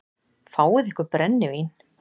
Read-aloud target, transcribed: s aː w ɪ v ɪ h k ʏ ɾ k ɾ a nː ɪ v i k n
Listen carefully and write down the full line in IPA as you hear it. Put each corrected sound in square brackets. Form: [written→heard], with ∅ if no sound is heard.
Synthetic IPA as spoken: [s→f] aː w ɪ [v→ð] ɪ h k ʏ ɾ [k→p] ɾ [a→ɛ] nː ɪ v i [k→∅] n